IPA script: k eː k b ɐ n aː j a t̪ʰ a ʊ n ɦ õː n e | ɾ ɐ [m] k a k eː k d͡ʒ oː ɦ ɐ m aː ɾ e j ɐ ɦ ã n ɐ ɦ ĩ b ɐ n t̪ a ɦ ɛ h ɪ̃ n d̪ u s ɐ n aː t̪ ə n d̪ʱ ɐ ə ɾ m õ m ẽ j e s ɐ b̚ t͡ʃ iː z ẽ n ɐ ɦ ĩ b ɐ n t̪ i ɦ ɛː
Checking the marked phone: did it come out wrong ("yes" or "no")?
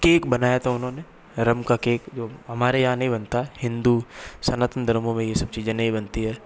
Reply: no